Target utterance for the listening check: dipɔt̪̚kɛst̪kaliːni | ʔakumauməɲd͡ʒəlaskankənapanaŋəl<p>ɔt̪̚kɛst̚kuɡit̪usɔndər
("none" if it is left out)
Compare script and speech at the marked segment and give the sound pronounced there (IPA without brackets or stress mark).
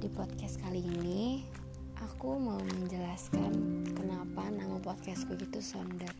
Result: p